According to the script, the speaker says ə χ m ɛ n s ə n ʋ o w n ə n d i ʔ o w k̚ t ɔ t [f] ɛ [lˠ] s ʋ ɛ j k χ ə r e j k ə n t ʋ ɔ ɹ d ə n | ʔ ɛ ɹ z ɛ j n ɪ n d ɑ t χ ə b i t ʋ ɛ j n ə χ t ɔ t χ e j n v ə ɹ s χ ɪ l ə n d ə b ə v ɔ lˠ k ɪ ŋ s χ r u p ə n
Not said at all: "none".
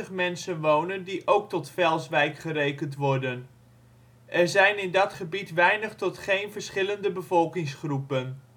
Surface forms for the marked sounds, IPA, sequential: f, lˠ

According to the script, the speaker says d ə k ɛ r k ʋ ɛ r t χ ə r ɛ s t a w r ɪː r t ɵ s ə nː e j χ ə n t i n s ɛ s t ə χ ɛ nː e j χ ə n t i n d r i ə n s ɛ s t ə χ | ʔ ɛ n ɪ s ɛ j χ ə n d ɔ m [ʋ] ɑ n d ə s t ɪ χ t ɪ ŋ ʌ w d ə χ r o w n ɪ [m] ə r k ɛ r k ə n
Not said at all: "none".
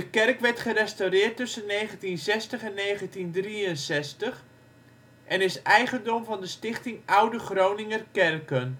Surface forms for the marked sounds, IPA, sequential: v, ŋ

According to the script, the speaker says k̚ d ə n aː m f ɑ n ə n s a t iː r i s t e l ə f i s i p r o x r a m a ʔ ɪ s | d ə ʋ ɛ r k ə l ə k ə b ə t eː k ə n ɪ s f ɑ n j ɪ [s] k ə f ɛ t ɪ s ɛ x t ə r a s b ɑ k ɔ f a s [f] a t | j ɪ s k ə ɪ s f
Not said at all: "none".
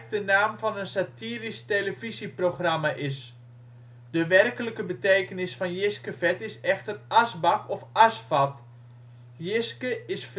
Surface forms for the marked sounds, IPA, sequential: s, f

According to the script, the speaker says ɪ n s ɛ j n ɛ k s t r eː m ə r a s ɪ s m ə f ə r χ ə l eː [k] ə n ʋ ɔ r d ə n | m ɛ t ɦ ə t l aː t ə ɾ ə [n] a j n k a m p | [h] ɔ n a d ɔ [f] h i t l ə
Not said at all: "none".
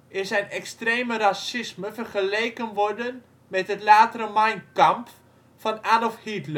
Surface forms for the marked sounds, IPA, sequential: k, m, f, f

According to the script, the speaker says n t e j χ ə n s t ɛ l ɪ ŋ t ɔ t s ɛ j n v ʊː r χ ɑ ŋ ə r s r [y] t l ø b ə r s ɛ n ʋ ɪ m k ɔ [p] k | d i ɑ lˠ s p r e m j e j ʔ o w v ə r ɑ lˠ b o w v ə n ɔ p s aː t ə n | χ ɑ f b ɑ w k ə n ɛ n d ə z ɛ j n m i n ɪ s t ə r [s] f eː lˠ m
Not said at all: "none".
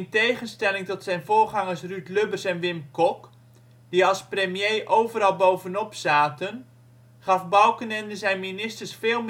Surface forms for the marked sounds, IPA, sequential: y, none, s

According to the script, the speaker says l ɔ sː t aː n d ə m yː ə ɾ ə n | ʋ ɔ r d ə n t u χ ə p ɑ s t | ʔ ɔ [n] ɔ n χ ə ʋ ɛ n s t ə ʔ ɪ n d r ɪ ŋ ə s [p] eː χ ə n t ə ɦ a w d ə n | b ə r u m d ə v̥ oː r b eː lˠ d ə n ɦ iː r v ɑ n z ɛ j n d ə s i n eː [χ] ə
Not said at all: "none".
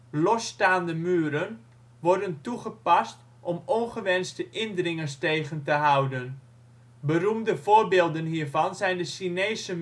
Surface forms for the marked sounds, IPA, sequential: m, t, s

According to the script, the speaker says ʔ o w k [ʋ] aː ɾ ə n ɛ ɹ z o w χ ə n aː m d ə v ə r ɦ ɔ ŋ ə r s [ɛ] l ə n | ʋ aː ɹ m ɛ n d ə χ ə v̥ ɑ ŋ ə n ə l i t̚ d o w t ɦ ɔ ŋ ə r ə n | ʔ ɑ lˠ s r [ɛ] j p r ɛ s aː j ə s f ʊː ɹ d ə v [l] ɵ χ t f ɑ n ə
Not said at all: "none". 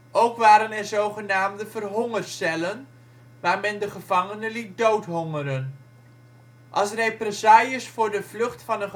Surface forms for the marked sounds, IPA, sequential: ʋ, ɛ, e, l

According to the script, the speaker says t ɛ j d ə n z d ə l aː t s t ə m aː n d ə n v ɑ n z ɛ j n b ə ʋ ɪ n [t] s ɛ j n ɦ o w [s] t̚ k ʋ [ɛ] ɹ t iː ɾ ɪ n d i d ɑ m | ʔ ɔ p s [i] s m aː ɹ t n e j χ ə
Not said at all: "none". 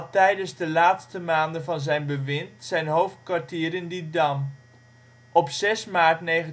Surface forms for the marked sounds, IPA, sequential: t, f, a, ɛ

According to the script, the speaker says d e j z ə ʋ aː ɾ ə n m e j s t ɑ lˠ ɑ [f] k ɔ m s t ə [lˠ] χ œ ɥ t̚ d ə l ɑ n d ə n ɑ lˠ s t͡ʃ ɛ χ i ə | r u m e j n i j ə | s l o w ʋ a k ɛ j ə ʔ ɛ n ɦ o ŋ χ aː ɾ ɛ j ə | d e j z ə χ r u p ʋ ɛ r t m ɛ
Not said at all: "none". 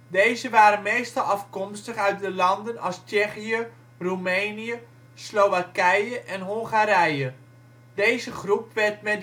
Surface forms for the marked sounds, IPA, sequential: f, none

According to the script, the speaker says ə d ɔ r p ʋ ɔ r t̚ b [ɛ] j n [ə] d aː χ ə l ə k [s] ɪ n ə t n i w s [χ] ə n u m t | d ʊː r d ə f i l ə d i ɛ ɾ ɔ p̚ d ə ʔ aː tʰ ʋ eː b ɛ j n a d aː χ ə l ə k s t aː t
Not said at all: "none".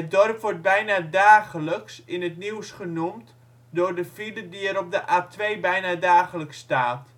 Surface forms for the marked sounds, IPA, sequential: ɛ, a, s, χ

